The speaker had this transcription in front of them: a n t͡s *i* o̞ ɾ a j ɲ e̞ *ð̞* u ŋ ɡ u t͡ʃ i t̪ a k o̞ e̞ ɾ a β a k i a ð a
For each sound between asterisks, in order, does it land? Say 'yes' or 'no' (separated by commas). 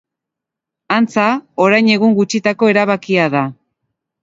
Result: no, no